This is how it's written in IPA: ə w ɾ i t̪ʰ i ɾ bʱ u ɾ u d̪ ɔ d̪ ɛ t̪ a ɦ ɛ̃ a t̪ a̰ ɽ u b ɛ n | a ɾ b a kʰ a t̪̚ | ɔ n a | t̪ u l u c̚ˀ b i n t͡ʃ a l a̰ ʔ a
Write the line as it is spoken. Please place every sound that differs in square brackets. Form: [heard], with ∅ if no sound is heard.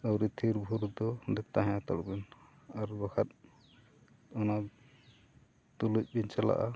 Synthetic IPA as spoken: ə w ɾ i t̪ʰ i ɾ bʱ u ɾ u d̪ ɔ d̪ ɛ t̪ a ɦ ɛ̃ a t̪ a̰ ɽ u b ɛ n | a ɾ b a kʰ a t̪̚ | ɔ n a | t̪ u l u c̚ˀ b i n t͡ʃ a l a̰ ʔ a